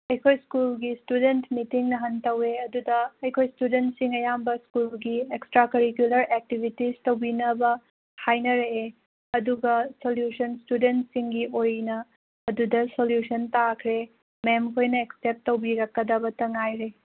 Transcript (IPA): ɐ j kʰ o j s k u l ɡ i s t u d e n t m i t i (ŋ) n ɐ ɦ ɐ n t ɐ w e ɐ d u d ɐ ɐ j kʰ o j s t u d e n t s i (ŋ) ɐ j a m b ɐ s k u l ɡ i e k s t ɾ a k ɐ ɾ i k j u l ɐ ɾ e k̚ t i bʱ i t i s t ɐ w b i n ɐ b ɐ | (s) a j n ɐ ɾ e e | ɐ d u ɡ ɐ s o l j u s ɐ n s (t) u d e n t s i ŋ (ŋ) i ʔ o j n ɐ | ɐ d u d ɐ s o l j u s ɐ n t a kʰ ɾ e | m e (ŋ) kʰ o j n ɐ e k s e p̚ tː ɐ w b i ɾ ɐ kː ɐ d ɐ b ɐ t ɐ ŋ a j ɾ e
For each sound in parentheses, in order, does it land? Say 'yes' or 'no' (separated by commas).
yes, yes, no, yes, no, no